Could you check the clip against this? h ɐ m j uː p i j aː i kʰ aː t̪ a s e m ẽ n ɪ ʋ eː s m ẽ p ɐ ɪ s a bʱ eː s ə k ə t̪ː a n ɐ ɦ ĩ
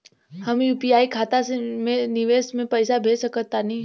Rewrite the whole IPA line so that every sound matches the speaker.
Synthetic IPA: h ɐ m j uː p i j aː i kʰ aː t̪ a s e m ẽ n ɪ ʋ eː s m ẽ p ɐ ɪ s a bʱ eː s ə k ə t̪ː a n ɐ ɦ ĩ